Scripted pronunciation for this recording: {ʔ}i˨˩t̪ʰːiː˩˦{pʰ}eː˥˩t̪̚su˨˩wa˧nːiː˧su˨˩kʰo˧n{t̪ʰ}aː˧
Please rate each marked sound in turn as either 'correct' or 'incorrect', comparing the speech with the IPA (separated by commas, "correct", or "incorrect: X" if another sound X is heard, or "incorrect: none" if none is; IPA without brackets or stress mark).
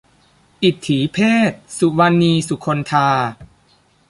correct, correct, correct